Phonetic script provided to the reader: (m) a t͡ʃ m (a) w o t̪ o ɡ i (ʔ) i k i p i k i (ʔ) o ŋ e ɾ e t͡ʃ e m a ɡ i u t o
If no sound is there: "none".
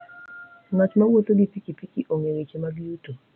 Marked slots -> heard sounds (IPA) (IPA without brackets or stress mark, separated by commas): ŋ, a, p, ʔ